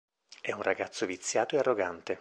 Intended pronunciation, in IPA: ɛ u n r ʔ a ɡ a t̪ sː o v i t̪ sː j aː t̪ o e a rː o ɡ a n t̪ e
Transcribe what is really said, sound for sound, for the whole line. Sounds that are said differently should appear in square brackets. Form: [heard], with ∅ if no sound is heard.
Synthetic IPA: ɛ u n r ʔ a ɡ a t̪ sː o v i t̪ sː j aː t̪ o e a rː o ɡ a n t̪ e